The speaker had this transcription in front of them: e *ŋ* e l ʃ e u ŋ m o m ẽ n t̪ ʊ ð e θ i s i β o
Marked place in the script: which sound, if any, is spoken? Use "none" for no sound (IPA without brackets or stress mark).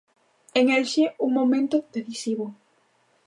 ŋ